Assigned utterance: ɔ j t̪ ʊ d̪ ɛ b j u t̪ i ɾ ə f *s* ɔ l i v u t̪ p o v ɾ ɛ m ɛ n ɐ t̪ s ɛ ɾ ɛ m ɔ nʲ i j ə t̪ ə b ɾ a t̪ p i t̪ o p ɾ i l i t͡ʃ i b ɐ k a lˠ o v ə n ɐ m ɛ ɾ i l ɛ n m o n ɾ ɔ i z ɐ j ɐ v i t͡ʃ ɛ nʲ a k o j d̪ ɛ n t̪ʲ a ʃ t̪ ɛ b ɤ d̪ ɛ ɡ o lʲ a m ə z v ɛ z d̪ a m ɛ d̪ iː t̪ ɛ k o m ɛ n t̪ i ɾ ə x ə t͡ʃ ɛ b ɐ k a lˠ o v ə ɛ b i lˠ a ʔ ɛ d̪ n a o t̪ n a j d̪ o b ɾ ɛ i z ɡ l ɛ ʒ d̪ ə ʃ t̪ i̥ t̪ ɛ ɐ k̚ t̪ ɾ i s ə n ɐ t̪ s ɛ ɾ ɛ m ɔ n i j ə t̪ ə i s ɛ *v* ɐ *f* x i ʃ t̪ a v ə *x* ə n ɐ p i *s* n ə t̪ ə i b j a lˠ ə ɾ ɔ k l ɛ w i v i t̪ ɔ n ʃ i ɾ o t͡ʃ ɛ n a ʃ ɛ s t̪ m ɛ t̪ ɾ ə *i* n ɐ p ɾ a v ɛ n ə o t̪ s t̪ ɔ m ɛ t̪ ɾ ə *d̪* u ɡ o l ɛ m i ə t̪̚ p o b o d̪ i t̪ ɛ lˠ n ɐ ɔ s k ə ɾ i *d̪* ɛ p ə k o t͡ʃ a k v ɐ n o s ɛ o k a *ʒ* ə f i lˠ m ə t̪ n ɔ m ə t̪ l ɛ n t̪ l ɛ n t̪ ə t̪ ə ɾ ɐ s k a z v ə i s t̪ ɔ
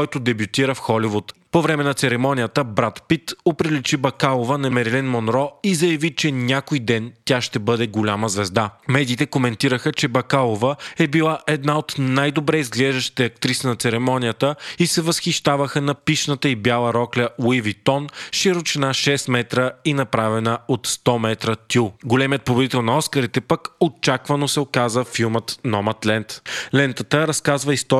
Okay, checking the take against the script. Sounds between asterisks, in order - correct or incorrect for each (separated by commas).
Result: incorrect, correct, incorrect, correct, incorrect, correct, incorrect, incorrect, incorrect